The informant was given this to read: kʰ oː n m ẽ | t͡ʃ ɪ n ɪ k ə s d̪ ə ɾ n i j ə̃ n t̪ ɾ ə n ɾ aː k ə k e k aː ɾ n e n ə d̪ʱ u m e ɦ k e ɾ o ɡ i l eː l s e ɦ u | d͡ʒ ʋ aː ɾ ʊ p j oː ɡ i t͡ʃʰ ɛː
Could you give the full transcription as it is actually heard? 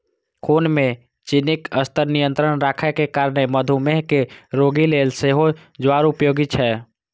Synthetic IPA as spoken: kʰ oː n m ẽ | t͡ʃ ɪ n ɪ k ə s t̪ ə ɾ n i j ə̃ n t̪ ɾ ə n ɾ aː kʰ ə k e k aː ɾ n e m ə d̪ʱ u m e ɦ k e ɾ o ɡ i l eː l s e ɦ o | d͡ʒ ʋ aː ɾ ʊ p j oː ɡ i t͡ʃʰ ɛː